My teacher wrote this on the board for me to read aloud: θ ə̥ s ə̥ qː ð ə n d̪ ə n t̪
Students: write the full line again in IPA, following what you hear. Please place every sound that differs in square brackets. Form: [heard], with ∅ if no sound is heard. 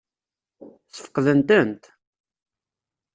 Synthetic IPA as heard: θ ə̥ [f] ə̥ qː ð ə n [t̪] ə n t̪